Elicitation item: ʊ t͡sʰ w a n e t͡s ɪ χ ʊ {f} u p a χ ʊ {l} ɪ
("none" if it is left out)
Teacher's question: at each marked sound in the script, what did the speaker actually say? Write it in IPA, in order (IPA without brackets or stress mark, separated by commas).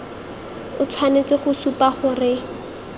s, r